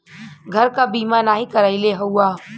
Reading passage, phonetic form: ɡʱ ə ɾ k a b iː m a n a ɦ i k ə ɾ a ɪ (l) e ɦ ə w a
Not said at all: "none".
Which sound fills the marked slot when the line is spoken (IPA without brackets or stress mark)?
l